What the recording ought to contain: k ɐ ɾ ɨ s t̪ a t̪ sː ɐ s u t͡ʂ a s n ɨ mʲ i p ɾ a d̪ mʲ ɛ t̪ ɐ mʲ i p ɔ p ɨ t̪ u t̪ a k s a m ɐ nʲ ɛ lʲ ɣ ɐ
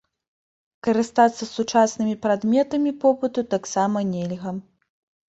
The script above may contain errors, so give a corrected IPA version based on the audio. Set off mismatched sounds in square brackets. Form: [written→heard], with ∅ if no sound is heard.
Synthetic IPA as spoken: k ɐ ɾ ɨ s t̪ a t̪ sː ɐ s u t͡ʂ a s n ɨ mʲ i p ɾ a d̪ mʲ ɛ t̪ ɐ mʲ i p ɔ p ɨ t̪ u t̪ a k s a m ɐ nʲ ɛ lʲ ɣ ɐ